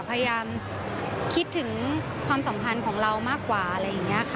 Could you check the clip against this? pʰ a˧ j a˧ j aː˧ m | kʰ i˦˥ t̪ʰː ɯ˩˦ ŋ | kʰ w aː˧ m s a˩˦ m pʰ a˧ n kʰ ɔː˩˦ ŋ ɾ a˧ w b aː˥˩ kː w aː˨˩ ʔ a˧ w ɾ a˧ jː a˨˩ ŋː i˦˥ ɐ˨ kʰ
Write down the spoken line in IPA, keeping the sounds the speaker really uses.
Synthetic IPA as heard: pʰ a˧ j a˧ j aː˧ m | kʰ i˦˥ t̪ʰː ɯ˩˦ ŋ | kʰ w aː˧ m s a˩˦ m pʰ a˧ n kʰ ɔː˩˦ ŋ ɾ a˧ w m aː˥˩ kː w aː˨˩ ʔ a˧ ɾ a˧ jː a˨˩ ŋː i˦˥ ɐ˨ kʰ